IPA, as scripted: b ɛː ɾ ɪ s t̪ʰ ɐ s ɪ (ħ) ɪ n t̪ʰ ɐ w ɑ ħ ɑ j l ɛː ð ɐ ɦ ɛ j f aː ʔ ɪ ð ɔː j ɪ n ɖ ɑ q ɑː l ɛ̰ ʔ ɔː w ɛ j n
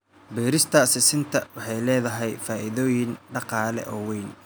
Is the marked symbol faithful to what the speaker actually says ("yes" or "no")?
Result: no